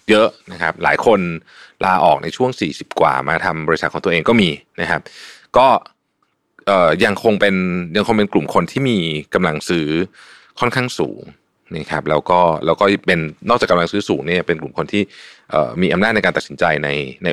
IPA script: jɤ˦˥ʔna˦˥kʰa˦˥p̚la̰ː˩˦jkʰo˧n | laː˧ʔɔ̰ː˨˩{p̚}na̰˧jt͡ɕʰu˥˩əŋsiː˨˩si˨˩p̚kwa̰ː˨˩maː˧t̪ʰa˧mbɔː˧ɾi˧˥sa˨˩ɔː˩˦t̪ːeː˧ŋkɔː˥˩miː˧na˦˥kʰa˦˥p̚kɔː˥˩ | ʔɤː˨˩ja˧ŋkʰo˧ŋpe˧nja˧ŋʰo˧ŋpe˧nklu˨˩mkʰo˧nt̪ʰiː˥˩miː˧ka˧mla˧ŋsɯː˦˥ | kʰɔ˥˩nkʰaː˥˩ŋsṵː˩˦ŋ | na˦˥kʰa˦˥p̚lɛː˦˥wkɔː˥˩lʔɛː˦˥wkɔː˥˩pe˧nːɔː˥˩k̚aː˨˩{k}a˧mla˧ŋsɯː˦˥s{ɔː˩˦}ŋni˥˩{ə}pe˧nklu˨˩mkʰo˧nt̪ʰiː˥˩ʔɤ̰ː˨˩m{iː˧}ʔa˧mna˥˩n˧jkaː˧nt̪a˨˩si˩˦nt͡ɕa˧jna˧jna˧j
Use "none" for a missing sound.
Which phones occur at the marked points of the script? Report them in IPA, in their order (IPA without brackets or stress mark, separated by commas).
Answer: k̚, k, uː˩˦, ɐ, iː˧